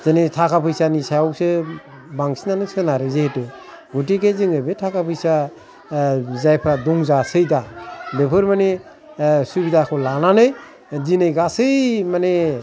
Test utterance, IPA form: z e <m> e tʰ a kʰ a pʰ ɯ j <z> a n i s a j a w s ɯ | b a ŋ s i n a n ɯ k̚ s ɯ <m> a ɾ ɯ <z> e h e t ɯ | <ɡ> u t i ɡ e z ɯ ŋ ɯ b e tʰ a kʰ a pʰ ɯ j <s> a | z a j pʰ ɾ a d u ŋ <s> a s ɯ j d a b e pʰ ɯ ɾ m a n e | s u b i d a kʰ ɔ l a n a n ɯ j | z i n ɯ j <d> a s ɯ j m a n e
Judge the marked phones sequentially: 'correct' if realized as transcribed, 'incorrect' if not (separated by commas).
incorrect, incorrect, incorrect, correct, correct, correct, incorrect, incorrect